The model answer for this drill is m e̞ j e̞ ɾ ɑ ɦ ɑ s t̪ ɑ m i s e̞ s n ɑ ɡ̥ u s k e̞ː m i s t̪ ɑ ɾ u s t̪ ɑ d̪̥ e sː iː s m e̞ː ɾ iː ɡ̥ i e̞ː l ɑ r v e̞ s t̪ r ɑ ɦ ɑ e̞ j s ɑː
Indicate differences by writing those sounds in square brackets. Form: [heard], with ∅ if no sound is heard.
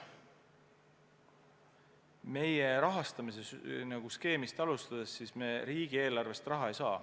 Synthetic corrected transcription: m e̞ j e̞ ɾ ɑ ɦ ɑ s t̪ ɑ m i s e̞ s n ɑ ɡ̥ u s k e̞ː m i s t̪ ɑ [l] u s t̪ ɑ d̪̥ e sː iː s m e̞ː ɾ iː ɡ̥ i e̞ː l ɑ r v e̞ s t̪ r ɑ ɦ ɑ e̞ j s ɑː

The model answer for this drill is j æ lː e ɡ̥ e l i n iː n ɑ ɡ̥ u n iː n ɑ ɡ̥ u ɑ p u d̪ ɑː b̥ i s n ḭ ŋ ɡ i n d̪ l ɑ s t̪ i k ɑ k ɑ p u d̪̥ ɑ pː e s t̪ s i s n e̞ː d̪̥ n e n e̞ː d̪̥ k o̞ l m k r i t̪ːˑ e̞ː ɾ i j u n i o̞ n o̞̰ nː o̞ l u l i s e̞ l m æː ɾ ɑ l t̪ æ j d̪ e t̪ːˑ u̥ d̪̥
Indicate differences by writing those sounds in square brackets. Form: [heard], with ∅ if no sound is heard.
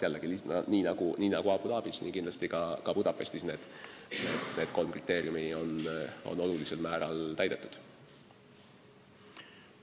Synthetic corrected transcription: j æ lː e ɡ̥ [i] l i n iː n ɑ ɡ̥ u n iː n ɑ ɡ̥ u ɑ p u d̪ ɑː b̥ i s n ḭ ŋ [k] i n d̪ l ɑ s t̪ i k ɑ k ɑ p u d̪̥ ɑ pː e s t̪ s i s n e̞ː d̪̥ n e n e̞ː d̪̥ k o̞ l m k r i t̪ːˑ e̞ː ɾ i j u [m] i o̞ n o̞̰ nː o̞ l u l i s e̞ l m æː ɾ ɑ l t̪ æ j d̪ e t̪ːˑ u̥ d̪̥

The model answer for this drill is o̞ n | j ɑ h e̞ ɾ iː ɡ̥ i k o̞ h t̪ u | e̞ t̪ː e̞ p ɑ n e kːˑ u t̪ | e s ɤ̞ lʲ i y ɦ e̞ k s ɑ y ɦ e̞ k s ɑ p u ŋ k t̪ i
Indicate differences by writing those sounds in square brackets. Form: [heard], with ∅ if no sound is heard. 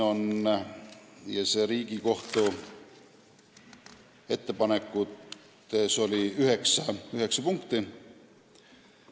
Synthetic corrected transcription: o̞ n | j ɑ [s] e̞ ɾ iː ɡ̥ i k o̞ h t̪ u | e̞ t̪ː e̞ p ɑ n e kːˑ u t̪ | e s [o̞] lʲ i y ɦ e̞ k s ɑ y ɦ e̞ k s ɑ p u ŋ k t̪ i

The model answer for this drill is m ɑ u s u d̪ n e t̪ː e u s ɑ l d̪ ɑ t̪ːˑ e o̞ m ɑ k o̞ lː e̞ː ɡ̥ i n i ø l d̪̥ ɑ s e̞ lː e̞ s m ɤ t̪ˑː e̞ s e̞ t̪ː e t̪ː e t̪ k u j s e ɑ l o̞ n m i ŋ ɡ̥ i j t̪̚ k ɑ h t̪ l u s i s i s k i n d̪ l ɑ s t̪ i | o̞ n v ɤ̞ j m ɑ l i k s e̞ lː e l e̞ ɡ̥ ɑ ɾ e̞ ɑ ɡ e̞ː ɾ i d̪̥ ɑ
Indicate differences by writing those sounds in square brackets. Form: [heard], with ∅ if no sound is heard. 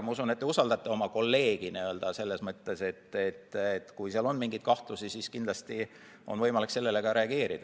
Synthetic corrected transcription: m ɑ u s u [∅] n e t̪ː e u s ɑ l d̪ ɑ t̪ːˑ e o̞ m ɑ k o̞ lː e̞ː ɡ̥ i n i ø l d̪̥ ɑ s e̞ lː e̞ s m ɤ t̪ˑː e̞ s e̞ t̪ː e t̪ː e t̪ k u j s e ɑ l o̞ n m i ŋ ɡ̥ i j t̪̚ k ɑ h t̪ l u s i s i s k i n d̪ l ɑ s t̪ i | o̞ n v ɤ̞ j m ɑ l i k s e̞ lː e l e̞ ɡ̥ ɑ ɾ e̞ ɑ ɡ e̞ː ɾ i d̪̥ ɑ

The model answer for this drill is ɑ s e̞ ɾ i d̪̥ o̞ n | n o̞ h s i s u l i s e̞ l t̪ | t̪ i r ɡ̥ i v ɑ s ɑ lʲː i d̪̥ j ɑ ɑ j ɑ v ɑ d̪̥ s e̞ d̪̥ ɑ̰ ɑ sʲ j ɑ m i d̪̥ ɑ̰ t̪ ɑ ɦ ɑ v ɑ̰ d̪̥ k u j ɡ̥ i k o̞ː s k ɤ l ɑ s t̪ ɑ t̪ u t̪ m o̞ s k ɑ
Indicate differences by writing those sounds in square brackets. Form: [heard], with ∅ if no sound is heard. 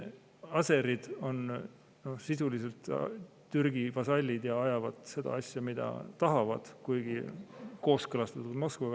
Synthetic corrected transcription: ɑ s e̞ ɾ i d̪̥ o̞ n | n o̞ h s i s u l i s e̞ l t̪ | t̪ [y] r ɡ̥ i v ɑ s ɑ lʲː i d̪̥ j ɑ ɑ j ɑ v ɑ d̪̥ s e̞ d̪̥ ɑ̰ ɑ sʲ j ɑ m i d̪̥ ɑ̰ t̪ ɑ ɦ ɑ v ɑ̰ d̪̥ k u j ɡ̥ i k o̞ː s k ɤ l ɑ s t̪ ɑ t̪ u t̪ m o̞ s k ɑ

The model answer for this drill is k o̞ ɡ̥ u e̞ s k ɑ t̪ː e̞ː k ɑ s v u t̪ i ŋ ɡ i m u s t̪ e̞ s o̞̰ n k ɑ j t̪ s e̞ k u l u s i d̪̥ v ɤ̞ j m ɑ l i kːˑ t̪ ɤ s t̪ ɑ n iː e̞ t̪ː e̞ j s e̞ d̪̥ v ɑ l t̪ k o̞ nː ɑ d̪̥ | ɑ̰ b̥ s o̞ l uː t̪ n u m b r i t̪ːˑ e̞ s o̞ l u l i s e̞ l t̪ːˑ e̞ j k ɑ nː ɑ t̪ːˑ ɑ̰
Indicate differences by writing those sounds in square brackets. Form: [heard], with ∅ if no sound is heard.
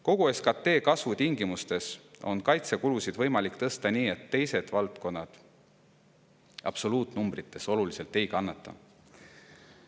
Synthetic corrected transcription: k o̞ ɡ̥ u e̞ s k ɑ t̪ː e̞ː k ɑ s v u t̪ i ŋ ɡ i m u s t̪ e̞ s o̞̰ n k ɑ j t̪ s e̞ k u l u s i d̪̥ v ɤ̞ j m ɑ l i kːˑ t̪ ɤ s t̪ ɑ n iː e̞ t̪ː e̞ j s e̞ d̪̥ v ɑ l t̪ k o̞ nː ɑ d̪̥ | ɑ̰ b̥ s o̞ l uː t̪ n u m b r i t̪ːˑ e̞ s o̞ l u l i s e̞ l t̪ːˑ e̞ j k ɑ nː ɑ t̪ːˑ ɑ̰

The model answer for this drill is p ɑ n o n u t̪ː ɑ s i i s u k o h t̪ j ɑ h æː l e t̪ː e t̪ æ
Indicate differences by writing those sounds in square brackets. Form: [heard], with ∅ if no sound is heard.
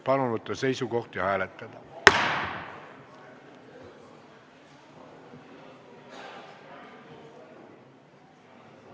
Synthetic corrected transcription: p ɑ n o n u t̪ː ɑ s [e] i s u k o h t̪ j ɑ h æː l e t̪ː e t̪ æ

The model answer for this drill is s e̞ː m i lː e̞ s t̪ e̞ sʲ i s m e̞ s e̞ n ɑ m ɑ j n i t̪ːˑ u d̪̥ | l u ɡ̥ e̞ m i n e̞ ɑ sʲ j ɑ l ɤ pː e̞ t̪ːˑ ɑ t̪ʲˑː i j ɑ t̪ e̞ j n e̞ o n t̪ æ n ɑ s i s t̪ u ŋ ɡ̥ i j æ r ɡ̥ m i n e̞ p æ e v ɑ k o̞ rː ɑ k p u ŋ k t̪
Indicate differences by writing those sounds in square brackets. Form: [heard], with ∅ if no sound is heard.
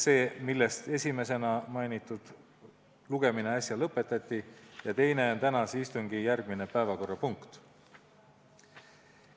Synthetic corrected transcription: s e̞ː m i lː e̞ s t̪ e̞ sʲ i [∅] m e̞ s e̞ n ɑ m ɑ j n i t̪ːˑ u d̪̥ | l u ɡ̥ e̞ m i n e̞ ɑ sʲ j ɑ l ɤ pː e̞ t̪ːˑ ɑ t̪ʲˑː i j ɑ t̪ e̞ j n e̞ o n t̪ æ n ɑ s i s t̪ u ŋ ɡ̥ i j æ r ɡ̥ m i n e̞ p æ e v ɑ k o̞ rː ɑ [∅] p u ŋ k t̪

